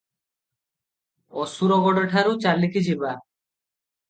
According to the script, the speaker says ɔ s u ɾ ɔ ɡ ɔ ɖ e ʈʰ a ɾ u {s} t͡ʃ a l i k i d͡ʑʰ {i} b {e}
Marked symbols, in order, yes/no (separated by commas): no, yes, no